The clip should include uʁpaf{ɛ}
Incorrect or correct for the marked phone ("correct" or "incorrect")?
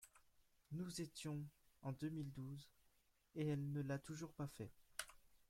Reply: correct